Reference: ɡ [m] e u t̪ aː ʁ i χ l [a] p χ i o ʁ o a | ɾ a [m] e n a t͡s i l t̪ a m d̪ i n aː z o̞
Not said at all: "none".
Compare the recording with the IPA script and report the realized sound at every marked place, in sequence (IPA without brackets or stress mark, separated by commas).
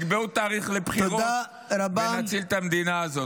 b, e, b